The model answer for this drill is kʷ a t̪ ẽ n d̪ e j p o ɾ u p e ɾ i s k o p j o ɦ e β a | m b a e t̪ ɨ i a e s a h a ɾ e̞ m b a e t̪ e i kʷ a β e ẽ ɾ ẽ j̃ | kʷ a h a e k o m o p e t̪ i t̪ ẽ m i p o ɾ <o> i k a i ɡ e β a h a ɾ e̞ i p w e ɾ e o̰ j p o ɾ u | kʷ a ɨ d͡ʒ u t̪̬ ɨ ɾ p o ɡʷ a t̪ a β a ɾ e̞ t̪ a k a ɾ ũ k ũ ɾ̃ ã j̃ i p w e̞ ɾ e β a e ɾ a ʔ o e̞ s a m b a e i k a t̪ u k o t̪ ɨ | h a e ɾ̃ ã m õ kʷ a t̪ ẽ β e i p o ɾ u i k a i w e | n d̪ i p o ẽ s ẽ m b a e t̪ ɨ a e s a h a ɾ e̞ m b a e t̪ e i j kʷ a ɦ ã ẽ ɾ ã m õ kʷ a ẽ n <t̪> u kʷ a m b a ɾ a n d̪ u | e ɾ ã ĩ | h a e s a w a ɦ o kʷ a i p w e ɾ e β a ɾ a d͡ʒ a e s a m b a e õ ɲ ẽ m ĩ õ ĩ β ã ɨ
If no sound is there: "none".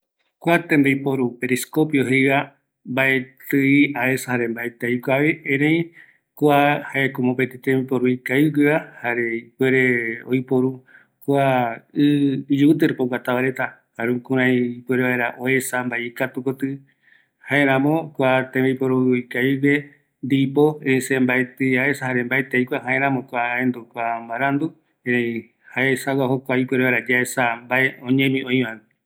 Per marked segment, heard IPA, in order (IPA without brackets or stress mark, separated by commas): u, d̪